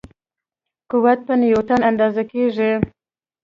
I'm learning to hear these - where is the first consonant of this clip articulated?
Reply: velum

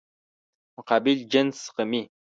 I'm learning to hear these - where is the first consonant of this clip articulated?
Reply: lips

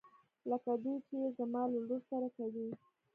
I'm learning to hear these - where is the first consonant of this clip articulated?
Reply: tongue tip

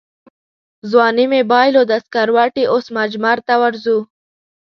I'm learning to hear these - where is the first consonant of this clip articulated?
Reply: tongue tip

